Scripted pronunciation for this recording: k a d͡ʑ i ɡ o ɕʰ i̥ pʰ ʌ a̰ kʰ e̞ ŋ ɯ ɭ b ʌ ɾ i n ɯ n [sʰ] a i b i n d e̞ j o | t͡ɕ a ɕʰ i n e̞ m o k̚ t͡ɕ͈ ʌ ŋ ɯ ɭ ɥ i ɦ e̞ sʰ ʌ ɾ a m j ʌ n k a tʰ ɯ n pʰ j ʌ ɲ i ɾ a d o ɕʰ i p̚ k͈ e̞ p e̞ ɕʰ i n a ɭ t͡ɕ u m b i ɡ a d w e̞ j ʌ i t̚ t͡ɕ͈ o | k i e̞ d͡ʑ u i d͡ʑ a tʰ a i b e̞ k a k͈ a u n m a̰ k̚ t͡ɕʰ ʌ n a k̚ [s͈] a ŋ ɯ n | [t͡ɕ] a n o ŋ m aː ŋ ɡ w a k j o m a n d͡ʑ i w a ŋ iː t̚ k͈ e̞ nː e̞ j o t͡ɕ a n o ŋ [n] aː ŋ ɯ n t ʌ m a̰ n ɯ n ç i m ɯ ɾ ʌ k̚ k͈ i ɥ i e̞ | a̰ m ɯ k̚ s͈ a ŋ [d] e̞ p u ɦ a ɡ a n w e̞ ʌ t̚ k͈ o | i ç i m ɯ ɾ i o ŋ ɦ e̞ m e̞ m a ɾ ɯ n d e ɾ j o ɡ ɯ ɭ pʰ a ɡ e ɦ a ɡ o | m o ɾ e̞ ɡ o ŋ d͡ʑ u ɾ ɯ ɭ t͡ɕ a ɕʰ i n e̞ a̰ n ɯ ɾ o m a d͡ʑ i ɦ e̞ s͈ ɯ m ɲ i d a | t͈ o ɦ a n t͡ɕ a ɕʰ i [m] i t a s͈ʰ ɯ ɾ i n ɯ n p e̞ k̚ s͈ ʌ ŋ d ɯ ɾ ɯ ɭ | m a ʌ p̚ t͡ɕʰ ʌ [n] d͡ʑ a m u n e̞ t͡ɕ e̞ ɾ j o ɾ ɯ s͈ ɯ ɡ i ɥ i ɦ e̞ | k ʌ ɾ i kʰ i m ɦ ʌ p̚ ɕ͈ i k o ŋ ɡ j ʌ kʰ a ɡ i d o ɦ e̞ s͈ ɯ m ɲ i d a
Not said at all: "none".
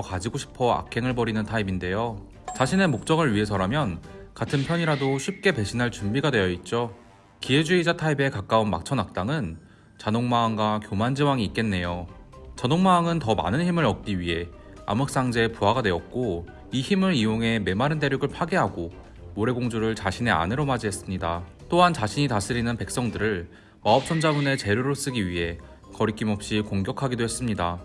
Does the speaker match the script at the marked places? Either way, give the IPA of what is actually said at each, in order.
tʰ, t͈, t͡ɕ, m, d͡ʑ, ɲ, n

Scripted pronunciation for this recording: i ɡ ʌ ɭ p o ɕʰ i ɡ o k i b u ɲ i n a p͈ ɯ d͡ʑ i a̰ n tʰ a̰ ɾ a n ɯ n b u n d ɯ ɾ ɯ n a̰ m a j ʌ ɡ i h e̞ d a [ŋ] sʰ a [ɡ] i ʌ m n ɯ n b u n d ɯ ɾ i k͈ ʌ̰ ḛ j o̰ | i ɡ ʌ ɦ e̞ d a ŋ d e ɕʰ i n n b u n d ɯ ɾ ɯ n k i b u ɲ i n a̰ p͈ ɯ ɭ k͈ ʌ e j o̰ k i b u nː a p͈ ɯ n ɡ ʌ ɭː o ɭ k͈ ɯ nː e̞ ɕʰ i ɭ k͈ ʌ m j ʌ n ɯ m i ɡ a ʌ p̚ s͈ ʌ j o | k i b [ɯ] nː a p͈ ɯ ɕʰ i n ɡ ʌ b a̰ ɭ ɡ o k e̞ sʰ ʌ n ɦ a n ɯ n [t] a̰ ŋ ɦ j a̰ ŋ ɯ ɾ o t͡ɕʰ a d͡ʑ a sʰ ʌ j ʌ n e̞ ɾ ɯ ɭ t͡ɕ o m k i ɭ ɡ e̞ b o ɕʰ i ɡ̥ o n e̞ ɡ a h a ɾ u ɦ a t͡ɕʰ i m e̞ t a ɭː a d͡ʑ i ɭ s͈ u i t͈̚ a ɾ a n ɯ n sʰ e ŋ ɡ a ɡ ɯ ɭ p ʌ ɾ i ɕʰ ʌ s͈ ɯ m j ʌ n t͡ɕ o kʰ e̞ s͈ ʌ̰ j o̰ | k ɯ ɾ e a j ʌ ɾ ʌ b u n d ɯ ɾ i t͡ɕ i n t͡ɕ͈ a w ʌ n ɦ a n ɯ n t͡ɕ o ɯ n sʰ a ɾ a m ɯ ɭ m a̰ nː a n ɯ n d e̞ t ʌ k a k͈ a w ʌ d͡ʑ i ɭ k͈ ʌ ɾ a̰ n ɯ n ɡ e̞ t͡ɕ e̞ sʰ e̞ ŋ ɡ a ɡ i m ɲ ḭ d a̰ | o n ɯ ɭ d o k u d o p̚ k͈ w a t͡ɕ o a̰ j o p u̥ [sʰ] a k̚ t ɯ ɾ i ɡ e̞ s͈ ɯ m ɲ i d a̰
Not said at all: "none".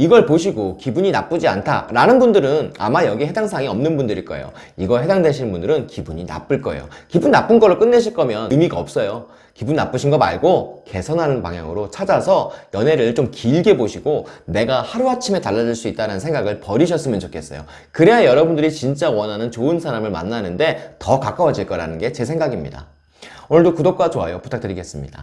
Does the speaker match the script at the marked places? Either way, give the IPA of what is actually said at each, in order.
ŋ, ŋ, u, p, tʰ

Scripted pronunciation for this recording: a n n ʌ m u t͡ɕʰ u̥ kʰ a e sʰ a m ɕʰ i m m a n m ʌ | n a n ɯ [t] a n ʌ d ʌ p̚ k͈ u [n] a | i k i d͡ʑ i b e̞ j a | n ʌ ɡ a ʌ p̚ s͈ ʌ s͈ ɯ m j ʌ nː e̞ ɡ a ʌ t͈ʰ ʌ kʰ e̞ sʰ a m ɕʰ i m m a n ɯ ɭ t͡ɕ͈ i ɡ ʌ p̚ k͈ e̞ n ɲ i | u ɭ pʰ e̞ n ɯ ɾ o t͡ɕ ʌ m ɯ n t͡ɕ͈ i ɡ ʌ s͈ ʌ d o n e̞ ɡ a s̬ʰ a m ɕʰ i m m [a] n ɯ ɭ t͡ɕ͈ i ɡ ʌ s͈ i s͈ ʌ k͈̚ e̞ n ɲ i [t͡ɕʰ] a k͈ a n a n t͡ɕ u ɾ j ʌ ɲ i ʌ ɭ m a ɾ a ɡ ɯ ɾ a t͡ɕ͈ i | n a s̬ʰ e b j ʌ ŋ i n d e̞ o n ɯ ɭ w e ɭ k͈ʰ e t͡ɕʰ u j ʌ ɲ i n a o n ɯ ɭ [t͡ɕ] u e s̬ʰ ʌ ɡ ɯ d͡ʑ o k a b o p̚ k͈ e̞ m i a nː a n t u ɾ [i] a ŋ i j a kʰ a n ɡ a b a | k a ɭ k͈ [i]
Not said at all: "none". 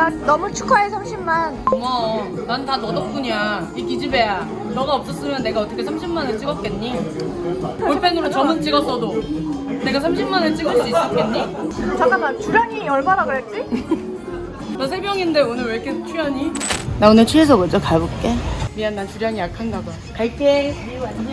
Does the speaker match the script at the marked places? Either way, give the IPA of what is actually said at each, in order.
t, ɲ, a, t͡ɕ, t͡ɕʰ, j, e

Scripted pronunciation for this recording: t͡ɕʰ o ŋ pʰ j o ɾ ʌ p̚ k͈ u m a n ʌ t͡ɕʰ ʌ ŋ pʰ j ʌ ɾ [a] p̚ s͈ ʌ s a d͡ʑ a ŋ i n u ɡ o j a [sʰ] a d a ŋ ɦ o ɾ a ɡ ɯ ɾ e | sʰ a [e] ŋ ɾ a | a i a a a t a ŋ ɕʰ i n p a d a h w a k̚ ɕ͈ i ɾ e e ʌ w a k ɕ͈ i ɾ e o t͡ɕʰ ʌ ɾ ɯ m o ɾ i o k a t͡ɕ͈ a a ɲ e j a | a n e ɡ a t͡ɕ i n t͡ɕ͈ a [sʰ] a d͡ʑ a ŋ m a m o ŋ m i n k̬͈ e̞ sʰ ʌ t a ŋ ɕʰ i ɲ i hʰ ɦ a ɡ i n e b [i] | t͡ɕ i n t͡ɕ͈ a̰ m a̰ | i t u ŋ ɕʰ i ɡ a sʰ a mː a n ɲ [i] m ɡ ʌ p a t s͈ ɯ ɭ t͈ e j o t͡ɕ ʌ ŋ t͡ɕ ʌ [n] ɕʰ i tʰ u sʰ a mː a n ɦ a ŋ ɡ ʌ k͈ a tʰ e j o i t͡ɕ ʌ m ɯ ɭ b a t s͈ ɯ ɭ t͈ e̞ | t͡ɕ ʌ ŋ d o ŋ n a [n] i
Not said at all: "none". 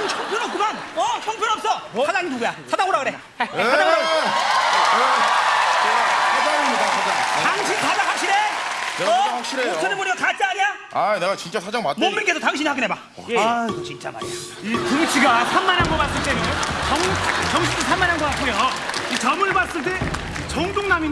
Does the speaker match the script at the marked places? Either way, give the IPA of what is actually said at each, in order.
ʌ, sʰ, a, sʰ, a, a, ŋ, m

